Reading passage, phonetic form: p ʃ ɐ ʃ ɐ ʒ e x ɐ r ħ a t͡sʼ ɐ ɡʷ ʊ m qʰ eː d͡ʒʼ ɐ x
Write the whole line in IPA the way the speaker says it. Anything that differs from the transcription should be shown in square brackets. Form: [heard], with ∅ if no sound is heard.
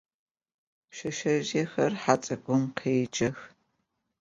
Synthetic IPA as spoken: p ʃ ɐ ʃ ɐ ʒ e x ɐ r ħ a t͡sʼ ɐ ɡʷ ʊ m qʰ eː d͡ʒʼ ɐ x